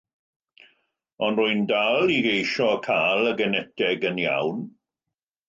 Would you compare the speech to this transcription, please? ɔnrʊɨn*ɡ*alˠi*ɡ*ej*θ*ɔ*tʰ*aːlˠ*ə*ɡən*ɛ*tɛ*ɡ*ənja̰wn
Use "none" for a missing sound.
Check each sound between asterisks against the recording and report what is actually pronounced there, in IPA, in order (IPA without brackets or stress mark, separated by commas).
d, ɡ, ʃ, kʰ, ə, ɛ, ɡ